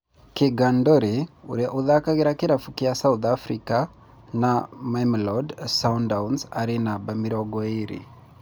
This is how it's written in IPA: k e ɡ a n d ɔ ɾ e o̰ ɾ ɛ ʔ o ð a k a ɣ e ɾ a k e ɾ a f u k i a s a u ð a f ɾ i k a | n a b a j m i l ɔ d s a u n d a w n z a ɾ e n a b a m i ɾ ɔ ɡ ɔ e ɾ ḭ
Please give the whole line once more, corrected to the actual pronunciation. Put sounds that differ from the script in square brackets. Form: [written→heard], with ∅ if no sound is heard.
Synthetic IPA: k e ɡ a n d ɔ ɾ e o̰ ɾ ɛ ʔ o ð a k a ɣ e ɾ a k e ɾ a f u k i a s a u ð a f ɾ i k a | n a [b→m] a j m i l ɔ d s a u n d a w n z a ɾ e n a b a m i ɾ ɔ ɡ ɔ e ɾ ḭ